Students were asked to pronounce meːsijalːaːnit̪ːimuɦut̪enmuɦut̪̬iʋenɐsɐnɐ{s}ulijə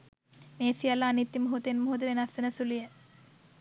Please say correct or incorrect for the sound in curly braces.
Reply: correct